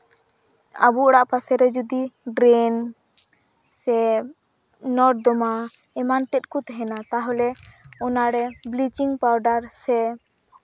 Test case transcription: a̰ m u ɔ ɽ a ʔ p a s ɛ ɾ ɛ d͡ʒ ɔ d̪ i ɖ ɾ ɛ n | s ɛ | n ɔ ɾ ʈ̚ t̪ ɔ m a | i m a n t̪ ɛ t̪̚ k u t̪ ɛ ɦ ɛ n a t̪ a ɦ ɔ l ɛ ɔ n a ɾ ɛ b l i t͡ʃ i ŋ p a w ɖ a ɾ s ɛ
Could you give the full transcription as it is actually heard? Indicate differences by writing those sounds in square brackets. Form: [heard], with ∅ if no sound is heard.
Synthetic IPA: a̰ [b] u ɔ ɽ a ʔ p a s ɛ ɾ ɛ d͡ʒ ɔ d̪ i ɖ ɾ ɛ n | s ɛ | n ɔ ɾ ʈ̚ [d̪] ɔ m a | [ɛ] m a n t̪ ɛ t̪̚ k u t̪ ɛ ɦ ɛ n a t̪ a ɦ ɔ l ɛ ɔ n a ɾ ɛ b l i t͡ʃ i ŋ p a w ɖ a ɾ s ɛ